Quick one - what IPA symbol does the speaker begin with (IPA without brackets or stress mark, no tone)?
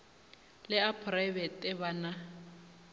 l